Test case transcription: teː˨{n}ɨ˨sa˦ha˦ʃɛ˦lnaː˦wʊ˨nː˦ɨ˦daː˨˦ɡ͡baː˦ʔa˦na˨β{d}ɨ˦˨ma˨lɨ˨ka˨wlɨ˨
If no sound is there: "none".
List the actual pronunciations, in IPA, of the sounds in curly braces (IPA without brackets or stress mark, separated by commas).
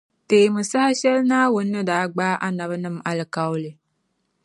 m, n